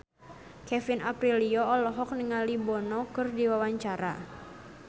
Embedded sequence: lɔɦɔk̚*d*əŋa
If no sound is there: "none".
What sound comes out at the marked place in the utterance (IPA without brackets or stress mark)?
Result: n